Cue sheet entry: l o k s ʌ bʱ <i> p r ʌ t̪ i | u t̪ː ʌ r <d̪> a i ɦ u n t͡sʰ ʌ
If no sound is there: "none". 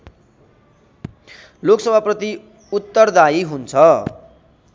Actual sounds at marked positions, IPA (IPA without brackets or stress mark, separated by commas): a, d̪